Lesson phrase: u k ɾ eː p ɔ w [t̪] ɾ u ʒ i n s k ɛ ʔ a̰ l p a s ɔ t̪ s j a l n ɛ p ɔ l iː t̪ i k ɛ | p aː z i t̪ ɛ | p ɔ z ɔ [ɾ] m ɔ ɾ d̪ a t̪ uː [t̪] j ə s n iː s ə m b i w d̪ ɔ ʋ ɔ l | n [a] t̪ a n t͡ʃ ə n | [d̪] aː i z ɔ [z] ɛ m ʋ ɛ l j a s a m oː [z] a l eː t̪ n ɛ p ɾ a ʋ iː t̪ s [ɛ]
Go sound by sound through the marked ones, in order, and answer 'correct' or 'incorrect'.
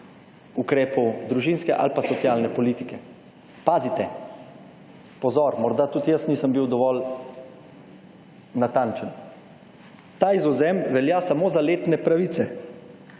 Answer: incorrect, correct, correct, correct, incorrect, correct, correct, correct

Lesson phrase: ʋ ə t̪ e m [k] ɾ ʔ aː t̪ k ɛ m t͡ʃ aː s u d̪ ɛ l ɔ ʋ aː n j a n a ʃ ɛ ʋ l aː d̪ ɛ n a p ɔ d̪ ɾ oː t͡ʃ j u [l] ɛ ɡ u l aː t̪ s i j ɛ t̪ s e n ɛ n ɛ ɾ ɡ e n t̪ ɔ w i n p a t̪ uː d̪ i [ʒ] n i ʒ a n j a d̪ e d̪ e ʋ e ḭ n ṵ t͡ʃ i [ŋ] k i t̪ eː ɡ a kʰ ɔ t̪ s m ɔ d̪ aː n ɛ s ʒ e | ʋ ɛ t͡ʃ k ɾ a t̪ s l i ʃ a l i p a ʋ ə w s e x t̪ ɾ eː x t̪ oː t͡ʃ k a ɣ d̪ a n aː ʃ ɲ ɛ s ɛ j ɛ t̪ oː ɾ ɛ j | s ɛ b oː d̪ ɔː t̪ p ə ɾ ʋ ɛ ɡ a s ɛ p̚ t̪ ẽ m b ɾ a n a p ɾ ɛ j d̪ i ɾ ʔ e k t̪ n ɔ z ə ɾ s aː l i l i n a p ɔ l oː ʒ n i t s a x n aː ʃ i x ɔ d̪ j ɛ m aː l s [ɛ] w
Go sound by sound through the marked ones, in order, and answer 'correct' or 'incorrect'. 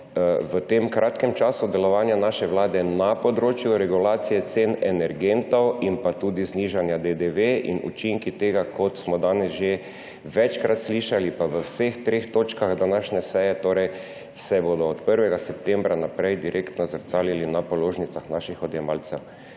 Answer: correct, incorrect, incorrect, correct, correct

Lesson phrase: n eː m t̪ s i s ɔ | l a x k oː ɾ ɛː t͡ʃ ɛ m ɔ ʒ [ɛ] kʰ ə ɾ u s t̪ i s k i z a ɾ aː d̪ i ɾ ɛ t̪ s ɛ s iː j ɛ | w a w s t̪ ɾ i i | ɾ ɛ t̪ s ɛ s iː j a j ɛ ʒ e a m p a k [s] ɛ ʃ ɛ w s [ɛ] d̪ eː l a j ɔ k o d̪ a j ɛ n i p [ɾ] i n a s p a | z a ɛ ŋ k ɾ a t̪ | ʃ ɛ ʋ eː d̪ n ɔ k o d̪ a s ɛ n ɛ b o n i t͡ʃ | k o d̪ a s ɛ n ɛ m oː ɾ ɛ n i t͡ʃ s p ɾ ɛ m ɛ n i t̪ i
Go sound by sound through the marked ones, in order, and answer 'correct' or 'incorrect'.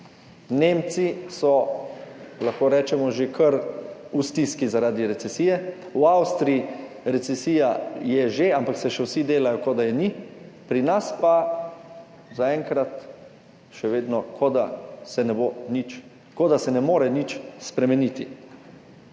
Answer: incorrect, correct, incorrect, correct

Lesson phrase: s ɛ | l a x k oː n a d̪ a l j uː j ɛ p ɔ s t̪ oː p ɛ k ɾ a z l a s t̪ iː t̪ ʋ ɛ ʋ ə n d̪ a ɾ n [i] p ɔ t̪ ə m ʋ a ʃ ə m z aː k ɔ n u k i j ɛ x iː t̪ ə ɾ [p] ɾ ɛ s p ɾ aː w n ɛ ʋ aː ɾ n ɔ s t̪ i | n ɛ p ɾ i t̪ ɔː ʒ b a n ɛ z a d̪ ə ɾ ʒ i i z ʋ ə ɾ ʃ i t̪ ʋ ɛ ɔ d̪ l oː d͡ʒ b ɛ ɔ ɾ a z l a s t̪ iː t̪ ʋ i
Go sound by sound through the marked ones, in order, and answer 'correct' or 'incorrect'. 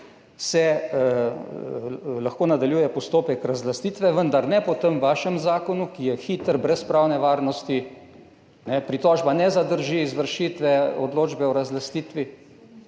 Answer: incorrect, incorrect

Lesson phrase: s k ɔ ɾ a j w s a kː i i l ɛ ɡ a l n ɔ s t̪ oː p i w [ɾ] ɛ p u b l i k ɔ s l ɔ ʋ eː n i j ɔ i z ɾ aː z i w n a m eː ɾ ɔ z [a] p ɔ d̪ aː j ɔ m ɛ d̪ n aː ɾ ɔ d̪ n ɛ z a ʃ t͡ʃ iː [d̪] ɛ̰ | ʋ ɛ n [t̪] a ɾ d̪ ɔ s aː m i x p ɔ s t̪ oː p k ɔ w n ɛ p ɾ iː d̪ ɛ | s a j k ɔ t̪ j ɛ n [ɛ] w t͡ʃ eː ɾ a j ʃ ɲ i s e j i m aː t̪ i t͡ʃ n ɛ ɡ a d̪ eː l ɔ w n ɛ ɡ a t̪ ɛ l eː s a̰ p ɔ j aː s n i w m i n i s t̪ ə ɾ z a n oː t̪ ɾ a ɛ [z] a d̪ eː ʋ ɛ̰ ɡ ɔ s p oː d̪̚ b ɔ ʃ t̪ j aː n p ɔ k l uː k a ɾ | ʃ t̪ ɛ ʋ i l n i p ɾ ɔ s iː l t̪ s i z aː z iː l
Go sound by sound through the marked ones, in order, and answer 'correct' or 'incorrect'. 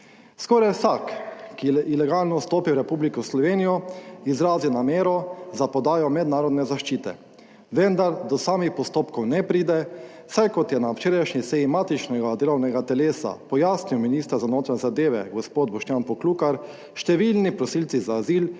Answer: correct, correct, incorrect, incorrect, incorrect, correct

